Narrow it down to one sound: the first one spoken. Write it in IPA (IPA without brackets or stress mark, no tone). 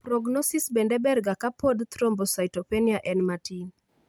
p